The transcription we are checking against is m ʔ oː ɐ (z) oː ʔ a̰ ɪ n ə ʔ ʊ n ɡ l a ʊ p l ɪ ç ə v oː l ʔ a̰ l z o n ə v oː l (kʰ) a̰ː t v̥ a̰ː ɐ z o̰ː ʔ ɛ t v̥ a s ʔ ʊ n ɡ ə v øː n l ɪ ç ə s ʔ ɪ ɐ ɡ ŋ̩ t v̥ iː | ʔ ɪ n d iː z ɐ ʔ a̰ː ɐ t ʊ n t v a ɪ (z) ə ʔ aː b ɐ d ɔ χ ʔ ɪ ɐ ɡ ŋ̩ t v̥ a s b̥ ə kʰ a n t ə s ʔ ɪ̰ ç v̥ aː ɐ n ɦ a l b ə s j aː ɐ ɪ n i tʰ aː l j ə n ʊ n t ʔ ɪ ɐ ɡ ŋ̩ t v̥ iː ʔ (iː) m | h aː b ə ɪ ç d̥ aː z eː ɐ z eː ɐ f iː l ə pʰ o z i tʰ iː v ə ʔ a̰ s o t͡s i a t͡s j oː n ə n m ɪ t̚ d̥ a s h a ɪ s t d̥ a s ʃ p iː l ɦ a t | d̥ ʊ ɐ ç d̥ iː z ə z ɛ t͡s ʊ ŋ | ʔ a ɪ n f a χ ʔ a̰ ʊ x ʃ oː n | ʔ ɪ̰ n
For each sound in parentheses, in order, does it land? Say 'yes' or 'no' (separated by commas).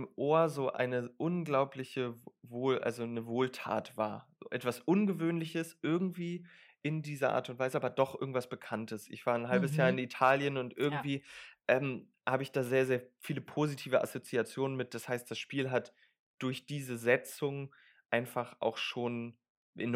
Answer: yes, no, yes, no